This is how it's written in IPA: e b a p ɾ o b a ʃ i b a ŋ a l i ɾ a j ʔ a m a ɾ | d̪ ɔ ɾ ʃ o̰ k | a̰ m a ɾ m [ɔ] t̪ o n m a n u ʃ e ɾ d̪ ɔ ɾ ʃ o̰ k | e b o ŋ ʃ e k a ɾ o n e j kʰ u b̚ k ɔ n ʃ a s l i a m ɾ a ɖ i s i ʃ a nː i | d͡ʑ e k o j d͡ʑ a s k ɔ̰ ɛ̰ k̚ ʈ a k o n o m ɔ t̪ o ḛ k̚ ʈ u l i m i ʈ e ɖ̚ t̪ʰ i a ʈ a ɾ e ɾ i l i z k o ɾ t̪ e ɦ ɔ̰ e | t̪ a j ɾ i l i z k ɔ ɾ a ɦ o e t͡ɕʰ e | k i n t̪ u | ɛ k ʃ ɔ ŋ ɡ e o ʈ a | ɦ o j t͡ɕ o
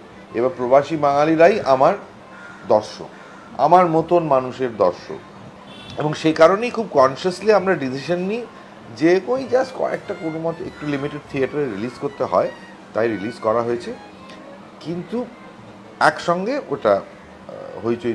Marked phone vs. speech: incorrect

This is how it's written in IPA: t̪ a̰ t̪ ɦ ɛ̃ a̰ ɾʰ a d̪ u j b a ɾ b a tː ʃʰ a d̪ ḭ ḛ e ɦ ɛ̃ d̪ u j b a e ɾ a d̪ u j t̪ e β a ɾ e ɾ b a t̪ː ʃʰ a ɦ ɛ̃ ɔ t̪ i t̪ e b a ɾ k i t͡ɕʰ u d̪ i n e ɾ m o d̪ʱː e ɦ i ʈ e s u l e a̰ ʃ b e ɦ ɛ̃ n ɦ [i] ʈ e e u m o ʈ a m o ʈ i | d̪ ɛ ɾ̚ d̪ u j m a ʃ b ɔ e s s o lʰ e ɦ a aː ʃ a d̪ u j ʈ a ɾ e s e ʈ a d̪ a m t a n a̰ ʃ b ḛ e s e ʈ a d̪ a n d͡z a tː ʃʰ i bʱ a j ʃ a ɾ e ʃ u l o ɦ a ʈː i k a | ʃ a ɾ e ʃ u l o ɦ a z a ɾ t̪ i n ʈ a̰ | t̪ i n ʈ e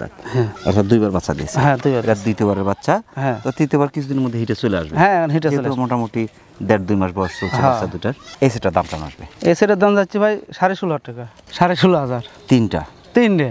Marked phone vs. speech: correct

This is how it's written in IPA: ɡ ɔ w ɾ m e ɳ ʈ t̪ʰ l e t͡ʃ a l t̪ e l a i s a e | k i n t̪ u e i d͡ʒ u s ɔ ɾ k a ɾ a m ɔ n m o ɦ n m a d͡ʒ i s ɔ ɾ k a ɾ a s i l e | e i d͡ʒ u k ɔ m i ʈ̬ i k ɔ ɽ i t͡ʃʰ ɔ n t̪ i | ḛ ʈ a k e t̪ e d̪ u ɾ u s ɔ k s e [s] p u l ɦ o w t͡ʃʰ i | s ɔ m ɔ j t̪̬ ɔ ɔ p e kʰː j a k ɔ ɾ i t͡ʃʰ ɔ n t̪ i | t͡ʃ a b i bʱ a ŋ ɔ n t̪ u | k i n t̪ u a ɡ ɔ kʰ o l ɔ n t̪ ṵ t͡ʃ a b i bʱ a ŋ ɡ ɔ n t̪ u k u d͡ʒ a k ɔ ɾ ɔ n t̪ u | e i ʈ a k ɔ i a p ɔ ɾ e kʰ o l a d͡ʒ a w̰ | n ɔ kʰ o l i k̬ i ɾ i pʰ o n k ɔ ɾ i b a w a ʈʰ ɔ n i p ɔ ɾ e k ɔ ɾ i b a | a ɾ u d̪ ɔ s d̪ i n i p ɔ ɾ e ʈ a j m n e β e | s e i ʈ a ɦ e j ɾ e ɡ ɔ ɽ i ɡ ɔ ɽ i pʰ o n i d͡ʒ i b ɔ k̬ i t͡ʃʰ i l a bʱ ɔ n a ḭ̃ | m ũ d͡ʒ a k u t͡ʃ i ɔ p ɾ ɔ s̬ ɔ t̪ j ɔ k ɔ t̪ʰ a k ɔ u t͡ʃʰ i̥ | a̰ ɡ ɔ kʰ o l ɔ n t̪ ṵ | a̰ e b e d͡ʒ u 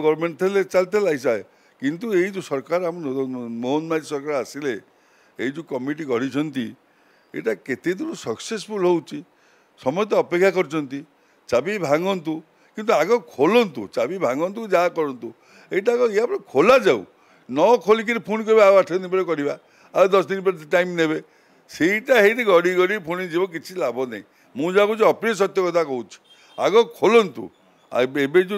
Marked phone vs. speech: correct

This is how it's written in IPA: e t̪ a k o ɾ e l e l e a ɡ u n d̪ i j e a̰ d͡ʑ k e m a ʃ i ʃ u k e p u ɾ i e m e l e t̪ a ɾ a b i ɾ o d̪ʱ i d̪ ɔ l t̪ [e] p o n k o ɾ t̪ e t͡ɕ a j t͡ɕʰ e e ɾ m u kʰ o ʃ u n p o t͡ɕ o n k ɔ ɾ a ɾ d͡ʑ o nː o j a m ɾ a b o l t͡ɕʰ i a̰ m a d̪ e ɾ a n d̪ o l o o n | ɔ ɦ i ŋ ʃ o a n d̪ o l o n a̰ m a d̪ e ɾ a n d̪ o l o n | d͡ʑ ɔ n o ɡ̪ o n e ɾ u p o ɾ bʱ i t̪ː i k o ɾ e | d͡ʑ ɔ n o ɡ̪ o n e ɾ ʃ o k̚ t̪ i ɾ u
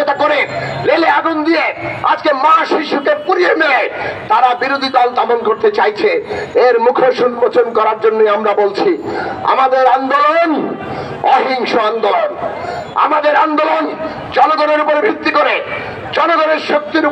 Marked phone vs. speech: incorrect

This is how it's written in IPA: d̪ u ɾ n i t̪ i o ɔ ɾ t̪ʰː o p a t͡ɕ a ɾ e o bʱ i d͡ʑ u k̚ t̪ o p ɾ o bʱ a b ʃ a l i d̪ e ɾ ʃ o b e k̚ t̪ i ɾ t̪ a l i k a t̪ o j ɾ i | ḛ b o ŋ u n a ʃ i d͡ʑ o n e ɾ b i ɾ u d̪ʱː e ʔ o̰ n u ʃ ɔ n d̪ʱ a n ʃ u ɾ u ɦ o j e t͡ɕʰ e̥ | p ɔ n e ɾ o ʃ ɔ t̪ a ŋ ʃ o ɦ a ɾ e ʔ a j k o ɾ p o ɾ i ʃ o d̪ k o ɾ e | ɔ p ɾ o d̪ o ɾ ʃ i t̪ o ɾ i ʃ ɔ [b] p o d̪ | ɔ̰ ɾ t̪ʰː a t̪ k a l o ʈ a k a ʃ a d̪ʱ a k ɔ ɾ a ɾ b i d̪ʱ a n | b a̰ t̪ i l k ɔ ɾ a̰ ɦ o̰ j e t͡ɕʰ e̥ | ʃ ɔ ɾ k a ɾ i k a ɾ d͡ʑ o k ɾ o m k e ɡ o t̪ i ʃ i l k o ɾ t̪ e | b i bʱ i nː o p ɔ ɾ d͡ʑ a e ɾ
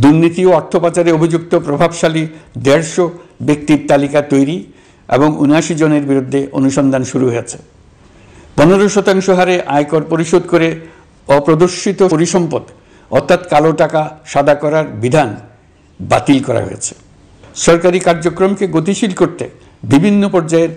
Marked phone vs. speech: incorrect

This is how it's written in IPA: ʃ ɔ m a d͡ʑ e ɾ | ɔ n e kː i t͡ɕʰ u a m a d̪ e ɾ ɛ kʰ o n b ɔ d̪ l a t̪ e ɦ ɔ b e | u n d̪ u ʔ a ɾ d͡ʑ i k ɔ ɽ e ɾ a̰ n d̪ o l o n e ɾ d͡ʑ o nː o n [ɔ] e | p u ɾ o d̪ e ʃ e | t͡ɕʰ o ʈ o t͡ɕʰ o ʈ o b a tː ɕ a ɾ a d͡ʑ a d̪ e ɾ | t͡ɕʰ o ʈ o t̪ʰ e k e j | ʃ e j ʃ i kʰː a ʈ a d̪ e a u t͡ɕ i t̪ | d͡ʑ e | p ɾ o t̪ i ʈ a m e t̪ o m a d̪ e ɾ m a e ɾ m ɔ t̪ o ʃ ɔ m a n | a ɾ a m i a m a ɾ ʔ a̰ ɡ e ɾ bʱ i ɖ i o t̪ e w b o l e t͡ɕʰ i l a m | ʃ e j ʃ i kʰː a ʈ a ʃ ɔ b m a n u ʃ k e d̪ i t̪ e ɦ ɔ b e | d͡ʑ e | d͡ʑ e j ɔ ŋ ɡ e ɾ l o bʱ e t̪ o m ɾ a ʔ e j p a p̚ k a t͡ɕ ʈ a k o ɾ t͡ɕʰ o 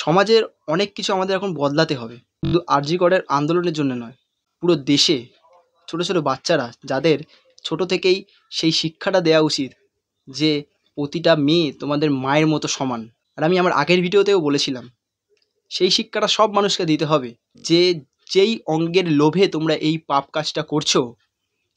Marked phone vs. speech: correct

